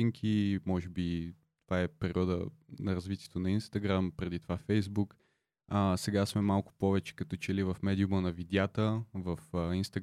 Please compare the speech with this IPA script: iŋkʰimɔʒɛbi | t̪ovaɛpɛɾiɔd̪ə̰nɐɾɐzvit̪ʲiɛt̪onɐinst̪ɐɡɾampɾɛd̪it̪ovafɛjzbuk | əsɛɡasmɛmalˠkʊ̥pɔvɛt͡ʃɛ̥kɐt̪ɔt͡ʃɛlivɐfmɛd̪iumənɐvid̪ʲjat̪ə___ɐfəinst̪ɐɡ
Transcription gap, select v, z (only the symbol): v